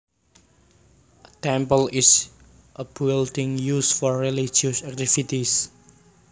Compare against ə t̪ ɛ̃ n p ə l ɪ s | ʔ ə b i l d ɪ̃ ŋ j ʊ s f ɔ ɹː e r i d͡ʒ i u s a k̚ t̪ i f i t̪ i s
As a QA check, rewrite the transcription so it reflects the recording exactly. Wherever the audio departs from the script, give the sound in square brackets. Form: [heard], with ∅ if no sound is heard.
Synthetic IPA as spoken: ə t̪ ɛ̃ [m] p ə l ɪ s | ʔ ə b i l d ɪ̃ ŋ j [u] s f ɔ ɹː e [l] i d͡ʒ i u s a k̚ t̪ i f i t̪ i s